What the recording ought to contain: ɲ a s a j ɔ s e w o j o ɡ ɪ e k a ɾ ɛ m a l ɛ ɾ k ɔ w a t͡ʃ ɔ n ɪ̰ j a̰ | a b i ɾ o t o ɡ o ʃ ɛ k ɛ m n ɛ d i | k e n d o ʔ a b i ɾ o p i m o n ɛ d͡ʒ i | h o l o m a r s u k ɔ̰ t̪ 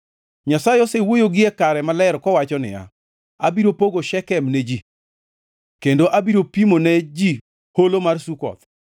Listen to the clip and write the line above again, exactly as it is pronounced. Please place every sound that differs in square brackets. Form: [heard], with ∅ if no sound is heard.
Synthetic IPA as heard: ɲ a s a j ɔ s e w o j o ɡ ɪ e k a ɾ ɛ m a l ɛ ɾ k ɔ w a t͡ʃ ɔ n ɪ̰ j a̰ | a b i ɾ o [p] o ɡ o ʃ ɛ k ɛ m n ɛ [d͡ʒ] i | k e n d o ʔ a b i ɾ o p i m o n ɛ d͡ʒ i | h o l o m a r s u k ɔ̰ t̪